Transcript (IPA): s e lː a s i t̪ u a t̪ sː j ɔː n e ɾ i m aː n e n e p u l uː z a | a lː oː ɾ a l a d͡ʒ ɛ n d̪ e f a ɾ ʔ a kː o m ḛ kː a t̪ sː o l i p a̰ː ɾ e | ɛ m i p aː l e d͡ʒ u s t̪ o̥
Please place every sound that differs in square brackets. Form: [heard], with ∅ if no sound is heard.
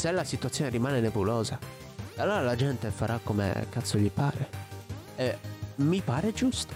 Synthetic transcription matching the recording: s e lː a s i t̪ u a t̪ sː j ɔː n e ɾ i m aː n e n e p u l [ɔː] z a | a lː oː ɾ a l a d͡ʒ ɛ n [t̪] e f a ɾ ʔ a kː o m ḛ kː a t̪ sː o [ʎ] i p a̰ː ɾ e | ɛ m i p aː [ɾ] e d͡ʒ u s t̪ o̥